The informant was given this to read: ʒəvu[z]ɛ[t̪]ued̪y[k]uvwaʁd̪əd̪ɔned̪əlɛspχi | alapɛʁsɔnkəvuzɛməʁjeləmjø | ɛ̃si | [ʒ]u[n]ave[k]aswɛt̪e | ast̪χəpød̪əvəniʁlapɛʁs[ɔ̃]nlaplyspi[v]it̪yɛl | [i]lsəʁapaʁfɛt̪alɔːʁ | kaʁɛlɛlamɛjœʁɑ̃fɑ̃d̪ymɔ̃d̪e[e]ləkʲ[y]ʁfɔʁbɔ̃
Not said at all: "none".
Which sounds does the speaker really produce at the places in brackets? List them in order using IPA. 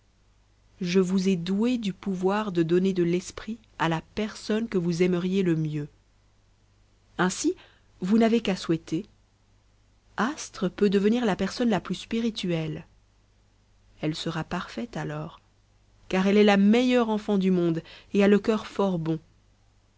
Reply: z, d̪, p, v, n, k, ɔ, ʁ, ɛ, a, œ

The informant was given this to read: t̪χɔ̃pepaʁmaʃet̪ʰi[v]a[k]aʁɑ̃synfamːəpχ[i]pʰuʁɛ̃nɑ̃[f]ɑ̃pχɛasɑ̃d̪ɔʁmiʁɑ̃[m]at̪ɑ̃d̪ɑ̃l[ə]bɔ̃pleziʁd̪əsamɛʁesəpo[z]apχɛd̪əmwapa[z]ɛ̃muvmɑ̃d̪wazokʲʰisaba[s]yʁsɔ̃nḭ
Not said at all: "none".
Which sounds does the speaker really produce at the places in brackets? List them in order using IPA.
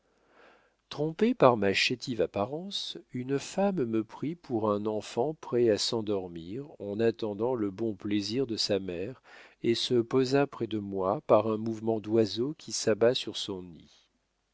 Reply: v, p, i, f, n, ə, z, ʁ, s

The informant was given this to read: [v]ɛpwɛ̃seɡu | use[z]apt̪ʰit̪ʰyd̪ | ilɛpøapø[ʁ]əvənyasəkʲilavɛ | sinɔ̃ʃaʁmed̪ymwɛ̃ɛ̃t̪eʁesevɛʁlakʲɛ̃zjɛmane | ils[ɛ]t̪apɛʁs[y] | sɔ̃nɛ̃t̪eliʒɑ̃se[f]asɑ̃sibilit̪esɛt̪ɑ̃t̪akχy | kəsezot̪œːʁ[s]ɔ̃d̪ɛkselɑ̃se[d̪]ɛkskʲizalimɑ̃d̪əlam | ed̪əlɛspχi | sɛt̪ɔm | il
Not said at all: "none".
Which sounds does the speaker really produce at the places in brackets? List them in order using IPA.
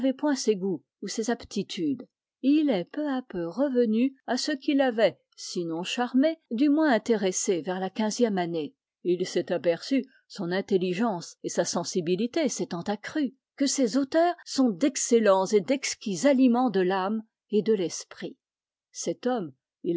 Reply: v, z, ʁ, ɛ, y, s, s, d̪

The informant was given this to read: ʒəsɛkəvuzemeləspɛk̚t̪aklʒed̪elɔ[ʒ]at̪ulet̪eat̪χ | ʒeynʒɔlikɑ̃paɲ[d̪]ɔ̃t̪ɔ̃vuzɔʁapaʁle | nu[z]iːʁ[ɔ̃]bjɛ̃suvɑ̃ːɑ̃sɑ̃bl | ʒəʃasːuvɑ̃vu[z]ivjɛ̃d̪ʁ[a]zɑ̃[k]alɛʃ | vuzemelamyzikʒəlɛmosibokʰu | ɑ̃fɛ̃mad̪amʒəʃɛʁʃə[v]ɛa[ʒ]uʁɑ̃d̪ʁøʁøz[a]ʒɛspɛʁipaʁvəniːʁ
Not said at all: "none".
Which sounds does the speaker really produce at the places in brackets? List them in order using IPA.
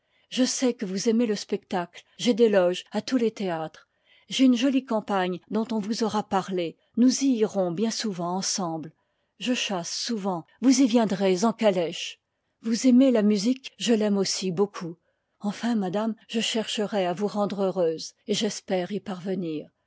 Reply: ʒ, d̪, z, ɔ̃, z, e, k, ʁ, v, e

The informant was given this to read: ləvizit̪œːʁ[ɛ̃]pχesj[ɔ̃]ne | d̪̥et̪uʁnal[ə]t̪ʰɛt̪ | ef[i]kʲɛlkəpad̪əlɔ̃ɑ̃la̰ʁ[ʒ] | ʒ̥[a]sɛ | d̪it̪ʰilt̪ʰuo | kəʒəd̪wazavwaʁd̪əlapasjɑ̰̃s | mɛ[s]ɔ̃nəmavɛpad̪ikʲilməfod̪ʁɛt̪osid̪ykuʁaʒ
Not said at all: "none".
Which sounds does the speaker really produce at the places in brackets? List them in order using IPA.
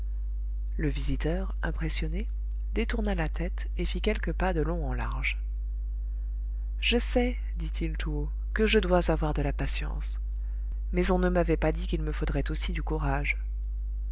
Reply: ɛ̃, ɔ, a, i, ʒ, ə, z

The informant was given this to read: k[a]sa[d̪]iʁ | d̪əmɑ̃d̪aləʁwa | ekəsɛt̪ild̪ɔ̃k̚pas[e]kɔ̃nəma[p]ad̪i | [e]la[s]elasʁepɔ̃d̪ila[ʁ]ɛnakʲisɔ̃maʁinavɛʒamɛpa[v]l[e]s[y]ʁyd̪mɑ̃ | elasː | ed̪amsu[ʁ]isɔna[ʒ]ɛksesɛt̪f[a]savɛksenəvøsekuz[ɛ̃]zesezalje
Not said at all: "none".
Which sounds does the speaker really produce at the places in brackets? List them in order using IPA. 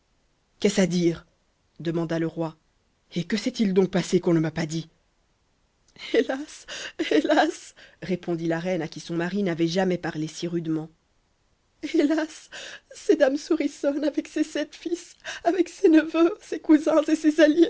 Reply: ɛ, d̪, e, p, e, s, ʁ, ʁ, e, i, ʁ, v, i, ɛ̃

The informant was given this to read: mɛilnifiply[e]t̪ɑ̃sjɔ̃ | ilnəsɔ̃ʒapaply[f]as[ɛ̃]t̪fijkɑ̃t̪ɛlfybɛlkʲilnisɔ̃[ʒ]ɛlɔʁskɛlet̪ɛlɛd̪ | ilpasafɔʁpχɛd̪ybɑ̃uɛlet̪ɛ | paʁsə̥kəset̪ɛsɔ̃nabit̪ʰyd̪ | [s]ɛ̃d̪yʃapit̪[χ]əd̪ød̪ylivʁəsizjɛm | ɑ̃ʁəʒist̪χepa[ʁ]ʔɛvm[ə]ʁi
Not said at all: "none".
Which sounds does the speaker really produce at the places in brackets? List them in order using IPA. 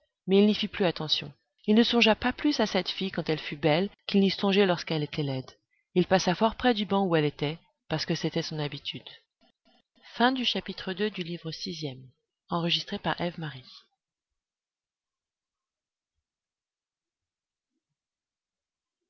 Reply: a, s, ɛ, ʒ, f, χ, ʁ, a

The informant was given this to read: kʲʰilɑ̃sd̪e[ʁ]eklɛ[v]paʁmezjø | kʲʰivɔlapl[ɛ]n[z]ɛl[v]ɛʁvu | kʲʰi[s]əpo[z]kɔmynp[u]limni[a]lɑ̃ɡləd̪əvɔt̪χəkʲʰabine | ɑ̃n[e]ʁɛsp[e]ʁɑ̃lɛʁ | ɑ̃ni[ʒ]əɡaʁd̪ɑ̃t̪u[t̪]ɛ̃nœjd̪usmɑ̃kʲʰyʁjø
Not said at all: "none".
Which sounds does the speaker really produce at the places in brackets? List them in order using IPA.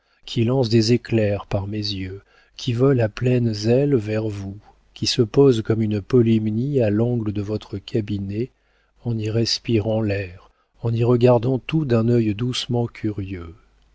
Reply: z, ʁ, ɛ, z, v, s, z, ɔ, a, i, i, ʁ, d̪

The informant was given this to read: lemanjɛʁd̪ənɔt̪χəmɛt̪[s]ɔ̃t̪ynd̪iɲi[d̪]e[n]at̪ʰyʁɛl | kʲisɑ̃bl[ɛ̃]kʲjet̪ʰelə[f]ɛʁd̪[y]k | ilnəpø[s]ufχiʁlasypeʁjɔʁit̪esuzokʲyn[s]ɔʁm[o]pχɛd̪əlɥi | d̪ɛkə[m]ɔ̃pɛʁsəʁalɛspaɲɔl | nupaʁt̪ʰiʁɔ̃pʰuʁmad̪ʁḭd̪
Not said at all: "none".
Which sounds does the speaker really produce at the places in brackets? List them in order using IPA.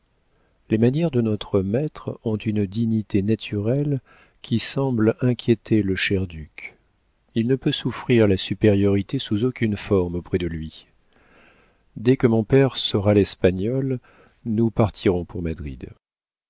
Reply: χ, t̪, n, ɛ̃, ʃ, y, s, f, o, m

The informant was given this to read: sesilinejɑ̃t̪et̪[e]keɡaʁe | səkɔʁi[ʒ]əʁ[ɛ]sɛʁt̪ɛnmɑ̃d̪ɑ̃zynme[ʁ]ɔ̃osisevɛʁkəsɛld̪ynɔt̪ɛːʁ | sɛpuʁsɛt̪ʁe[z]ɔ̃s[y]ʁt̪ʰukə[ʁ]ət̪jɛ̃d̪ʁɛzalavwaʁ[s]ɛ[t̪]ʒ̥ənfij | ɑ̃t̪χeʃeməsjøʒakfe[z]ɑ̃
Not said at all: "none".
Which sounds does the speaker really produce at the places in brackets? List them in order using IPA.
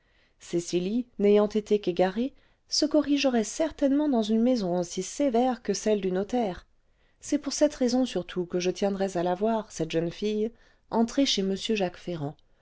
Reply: e, ʒ, ɛ, z, z, y, ʒ, s, t̪, ʁ

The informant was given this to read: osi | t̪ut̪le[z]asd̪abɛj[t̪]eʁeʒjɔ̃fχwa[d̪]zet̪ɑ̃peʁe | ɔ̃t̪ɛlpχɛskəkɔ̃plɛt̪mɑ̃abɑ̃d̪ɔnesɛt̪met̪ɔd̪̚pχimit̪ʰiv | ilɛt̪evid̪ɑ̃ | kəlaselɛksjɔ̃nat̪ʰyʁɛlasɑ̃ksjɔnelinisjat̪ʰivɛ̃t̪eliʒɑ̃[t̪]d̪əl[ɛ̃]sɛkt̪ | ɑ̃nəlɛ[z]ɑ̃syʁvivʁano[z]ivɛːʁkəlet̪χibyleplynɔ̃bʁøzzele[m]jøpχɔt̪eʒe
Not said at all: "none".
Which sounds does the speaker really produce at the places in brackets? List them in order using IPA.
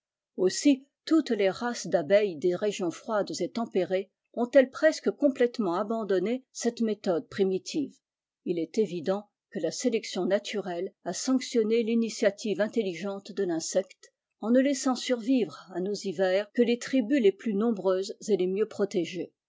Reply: ʁ, d̪, d̪, t̪, ɛ̃, s, z, m

